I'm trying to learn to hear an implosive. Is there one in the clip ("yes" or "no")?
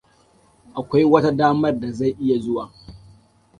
no